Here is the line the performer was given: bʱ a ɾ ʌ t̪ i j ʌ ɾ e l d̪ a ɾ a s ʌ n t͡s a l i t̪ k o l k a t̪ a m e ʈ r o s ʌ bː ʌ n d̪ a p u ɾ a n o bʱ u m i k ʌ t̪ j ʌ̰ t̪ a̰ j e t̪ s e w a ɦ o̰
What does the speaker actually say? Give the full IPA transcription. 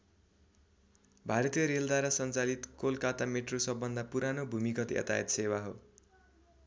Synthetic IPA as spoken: bʱ a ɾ ʌ t̪ i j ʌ ɾ e l d̪ a ɾ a s ʌ n t͡s a l i t̪ k o l k a t̪ a m e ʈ r o s ʌ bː ʌ n d̪ a p u ɾ a n o bʱ u m i k ʌ t̪ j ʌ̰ t̪ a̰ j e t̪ s e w a ɦ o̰